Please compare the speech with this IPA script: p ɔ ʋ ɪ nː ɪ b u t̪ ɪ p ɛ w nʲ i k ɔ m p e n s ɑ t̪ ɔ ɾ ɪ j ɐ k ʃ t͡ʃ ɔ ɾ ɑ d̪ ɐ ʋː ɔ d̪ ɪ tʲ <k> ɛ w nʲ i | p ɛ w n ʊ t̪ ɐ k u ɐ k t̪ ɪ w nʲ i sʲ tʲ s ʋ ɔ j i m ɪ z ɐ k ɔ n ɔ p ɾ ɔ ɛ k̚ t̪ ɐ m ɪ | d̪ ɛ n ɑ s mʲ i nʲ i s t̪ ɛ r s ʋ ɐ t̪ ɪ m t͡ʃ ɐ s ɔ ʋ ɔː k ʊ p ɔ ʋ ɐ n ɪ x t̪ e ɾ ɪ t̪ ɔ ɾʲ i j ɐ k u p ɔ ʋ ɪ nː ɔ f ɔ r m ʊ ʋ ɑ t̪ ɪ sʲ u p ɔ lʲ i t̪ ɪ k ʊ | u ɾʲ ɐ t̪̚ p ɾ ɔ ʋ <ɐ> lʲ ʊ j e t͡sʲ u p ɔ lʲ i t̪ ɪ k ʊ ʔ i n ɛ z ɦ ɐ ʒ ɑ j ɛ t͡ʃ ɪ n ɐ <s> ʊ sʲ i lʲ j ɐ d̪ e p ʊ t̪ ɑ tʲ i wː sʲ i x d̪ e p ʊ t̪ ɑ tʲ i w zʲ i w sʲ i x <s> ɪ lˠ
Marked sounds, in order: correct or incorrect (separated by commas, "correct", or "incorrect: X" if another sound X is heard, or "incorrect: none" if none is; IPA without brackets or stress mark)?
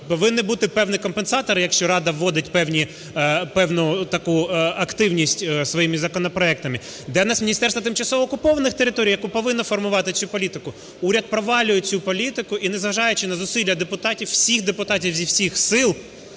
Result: incorrect: p, incorrect: ɑ, incorrect: z, correct